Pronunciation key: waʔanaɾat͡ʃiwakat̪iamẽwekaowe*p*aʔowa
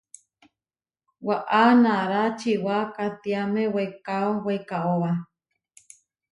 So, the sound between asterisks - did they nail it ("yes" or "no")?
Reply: no